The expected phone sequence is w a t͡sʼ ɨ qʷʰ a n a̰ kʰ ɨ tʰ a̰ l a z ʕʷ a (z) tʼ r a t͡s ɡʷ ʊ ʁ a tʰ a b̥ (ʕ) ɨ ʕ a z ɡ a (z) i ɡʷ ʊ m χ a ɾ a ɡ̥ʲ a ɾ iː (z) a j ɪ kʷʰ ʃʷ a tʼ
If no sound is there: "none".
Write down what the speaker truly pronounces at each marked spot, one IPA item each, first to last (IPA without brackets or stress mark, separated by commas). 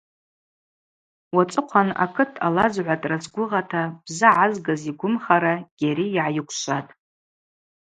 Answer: none, z, z, ʕ